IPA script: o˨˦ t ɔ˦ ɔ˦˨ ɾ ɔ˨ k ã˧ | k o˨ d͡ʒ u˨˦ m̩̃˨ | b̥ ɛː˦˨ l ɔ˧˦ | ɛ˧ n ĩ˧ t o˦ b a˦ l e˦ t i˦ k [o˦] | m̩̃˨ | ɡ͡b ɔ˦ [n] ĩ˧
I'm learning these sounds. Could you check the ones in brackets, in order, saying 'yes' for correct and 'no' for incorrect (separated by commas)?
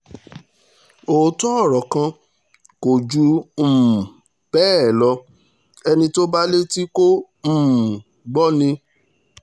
yes, yes